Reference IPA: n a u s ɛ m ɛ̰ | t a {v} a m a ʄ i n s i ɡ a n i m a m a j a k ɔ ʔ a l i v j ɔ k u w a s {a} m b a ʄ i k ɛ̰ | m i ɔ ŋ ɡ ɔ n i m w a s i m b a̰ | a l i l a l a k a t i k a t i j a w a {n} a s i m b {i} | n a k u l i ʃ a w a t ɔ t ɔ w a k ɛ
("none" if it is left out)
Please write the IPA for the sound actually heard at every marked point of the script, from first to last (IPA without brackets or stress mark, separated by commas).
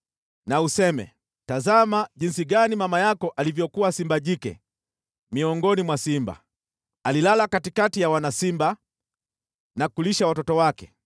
z, i, n, a